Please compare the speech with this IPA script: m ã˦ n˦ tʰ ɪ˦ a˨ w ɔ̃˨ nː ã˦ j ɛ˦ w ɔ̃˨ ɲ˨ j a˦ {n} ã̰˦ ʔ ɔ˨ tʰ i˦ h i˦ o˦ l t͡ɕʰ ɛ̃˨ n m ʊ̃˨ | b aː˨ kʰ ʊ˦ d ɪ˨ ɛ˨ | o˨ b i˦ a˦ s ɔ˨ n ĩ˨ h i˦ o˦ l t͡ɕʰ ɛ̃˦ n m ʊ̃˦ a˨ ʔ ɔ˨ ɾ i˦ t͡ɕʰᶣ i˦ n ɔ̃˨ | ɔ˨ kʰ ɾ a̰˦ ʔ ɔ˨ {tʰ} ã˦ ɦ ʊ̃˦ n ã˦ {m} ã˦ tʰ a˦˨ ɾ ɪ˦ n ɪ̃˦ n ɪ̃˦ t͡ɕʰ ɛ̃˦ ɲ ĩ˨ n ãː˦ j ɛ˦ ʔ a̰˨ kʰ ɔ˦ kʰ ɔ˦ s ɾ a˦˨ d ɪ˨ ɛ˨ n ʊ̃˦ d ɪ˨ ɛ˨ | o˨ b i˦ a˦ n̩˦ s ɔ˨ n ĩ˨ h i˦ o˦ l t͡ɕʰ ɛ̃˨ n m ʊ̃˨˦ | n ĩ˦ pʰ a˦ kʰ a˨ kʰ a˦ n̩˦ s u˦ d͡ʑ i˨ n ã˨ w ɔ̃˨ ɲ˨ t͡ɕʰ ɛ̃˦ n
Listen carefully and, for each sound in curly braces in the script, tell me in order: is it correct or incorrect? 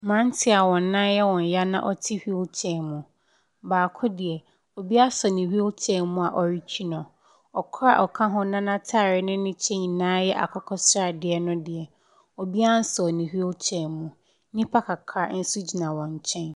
correct, incorrect: kʰ, incorrect: n

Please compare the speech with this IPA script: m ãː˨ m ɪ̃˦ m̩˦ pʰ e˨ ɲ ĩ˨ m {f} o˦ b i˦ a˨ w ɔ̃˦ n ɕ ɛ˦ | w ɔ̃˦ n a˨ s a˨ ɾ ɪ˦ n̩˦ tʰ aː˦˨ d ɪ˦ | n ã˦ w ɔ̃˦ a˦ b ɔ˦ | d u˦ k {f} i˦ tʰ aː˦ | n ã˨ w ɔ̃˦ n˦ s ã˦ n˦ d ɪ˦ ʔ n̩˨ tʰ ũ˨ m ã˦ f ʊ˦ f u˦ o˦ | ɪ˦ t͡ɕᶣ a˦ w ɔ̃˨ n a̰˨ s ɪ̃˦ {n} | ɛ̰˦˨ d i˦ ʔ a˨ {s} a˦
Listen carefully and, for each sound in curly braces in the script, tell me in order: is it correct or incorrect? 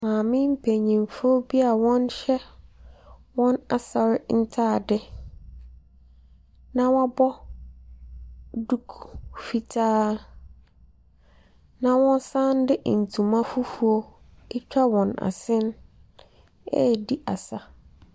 correct, correct, correct, correct

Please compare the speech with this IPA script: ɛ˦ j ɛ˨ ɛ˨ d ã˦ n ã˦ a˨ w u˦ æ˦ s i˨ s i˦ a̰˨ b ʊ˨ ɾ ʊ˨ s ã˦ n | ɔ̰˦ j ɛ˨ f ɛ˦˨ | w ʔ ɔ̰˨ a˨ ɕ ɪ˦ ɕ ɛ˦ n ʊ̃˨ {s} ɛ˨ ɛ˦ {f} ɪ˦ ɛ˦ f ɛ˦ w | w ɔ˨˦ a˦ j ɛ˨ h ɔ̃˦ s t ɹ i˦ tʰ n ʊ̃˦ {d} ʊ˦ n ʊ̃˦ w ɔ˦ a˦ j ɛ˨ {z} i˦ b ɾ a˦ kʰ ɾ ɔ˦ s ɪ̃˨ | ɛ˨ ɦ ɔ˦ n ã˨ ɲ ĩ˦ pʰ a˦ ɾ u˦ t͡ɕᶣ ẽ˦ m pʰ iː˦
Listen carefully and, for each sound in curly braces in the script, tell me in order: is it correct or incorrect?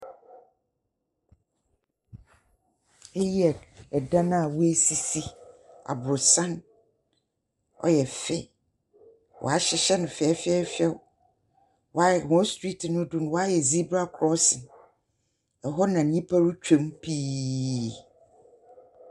incorrect: f, correct, correct, correct

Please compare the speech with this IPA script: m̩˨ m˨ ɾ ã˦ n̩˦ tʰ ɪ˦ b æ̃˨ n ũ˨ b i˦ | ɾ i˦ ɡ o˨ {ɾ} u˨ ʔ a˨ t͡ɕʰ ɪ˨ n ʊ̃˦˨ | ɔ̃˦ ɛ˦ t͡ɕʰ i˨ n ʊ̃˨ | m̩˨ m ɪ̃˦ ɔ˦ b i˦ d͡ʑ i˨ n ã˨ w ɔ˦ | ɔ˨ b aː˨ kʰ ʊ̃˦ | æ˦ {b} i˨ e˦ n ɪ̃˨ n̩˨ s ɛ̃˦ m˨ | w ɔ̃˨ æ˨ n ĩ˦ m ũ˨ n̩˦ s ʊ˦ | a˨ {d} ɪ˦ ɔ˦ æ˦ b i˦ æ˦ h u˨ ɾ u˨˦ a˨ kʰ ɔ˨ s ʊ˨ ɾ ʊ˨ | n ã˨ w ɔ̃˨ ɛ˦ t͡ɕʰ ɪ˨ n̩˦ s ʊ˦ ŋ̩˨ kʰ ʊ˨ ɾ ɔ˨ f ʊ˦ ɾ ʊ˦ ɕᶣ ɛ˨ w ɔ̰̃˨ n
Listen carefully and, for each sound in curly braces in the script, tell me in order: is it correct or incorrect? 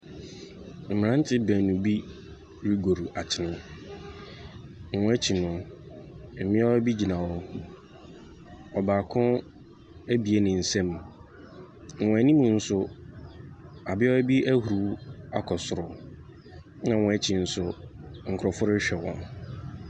correct, correct, incorrect: b

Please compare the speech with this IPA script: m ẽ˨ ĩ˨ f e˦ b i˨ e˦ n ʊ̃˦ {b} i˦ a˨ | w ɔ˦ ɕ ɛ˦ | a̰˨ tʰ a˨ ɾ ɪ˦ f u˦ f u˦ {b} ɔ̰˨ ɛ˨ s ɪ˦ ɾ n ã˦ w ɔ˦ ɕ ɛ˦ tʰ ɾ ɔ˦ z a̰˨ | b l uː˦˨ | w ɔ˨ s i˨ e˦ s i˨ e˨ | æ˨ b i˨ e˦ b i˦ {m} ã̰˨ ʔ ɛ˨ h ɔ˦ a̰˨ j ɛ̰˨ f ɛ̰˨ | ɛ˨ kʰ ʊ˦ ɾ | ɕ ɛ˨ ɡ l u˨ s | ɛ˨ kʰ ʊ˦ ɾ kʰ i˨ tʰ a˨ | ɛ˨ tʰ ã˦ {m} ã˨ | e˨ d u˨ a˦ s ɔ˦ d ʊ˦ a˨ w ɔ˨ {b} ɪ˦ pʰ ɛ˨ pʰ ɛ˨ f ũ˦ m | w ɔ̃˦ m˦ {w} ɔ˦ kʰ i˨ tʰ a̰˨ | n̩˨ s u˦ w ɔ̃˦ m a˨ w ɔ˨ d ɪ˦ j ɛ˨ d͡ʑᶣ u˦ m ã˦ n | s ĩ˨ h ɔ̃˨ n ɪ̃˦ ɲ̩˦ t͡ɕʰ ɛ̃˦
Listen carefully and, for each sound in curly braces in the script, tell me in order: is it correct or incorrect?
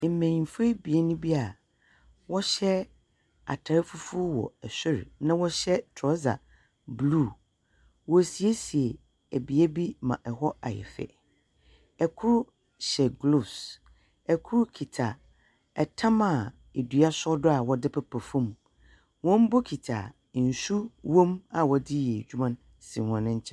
correct, incorrect: w, correct, correct, incorrect: d, incorrect: b

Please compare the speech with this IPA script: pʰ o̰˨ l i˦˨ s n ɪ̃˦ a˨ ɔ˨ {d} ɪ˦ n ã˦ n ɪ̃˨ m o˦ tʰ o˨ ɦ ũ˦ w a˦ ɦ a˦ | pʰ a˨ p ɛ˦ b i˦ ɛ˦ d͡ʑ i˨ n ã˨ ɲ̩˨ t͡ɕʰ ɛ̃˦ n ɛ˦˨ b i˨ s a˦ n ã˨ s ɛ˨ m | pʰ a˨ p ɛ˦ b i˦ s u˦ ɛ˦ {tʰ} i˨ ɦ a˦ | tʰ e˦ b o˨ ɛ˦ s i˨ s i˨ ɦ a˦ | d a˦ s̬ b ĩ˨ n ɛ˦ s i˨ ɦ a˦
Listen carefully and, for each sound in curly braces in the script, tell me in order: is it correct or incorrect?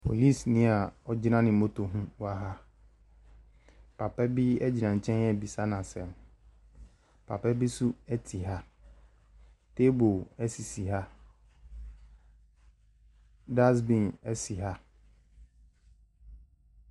incorrect: d͡ʑ, correct

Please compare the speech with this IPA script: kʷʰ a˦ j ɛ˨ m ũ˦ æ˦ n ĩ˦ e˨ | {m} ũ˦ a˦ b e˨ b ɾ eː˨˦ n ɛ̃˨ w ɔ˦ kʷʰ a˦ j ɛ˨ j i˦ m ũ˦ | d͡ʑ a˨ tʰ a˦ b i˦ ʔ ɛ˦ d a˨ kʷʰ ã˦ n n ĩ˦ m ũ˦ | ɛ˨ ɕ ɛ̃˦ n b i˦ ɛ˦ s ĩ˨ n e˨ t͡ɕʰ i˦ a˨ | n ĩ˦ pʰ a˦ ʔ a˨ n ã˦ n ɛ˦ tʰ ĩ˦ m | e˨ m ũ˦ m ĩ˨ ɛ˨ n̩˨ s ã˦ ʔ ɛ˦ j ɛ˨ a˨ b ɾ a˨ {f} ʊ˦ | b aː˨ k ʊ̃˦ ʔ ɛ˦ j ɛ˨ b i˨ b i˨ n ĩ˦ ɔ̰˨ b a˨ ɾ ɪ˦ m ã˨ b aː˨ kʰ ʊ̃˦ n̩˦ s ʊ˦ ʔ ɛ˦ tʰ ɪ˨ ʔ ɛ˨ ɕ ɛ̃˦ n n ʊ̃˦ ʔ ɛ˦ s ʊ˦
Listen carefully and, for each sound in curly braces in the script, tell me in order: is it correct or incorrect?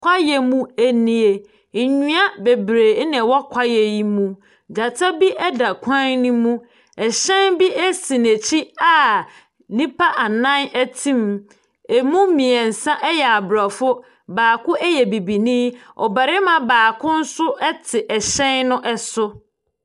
incorrect: ɲ, correct

